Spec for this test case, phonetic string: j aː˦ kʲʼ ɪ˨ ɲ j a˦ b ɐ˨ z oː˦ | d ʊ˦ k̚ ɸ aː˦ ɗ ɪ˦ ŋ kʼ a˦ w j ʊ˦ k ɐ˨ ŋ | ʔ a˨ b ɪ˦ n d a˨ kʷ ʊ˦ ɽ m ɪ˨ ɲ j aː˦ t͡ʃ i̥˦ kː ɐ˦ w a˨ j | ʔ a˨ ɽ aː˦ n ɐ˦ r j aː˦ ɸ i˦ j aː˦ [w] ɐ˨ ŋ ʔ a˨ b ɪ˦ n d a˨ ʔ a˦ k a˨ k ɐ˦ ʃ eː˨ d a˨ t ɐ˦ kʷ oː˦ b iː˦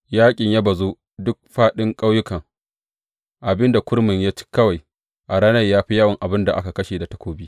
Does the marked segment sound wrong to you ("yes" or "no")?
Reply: no